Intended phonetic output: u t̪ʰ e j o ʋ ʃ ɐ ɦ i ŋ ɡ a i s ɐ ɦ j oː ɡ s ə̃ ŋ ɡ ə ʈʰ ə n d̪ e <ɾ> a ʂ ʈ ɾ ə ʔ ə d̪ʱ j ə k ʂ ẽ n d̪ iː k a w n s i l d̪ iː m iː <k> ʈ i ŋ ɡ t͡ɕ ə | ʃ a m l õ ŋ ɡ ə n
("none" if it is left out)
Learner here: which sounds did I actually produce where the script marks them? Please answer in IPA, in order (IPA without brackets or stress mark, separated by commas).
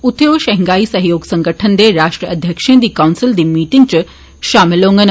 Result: ɾ, none